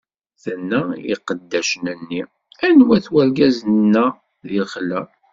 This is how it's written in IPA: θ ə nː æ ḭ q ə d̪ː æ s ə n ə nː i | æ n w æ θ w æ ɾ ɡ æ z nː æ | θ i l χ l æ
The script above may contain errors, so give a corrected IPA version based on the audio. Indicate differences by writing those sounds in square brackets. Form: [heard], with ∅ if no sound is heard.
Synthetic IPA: θ ə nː æ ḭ q ə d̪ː æ [ʃ] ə n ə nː i | æ n w æ θ w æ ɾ ɡ æ z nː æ | [ð] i l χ l æ